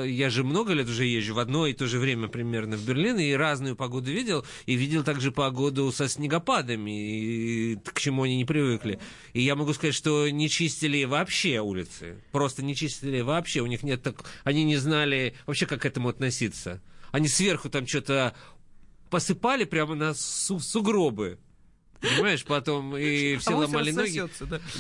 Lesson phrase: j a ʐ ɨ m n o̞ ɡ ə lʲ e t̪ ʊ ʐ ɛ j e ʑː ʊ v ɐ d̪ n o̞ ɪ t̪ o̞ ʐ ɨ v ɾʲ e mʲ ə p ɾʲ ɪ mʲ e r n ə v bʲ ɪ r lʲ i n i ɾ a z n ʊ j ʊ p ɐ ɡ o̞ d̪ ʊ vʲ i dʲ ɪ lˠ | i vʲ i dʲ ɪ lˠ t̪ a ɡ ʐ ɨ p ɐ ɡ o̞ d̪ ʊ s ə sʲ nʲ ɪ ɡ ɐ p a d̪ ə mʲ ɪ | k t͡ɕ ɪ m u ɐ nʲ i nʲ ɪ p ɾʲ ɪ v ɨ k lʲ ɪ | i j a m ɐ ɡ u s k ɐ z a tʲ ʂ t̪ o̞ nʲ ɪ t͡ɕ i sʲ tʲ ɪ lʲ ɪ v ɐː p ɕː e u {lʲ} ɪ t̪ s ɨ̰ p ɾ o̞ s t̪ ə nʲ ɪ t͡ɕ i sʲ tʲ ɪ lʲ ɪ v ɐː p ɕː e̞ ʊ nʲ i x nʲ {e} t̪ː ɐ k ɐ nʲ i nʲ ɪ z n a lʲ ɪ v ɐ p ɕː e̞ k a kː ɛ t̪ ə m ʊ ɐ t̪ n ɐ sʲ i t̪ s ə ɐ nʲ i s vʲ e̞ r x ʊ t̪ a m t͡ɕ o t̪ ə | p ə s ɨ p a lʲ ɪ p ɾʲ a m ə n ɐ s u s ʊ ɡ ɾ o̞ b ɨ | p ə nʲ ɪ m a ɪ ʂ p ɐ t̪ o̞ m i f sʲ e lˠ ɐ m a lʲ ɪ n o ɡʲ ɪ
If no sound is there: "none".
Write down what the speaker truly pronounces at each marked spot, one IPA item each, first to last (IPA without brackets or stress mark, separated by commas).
lʲ, e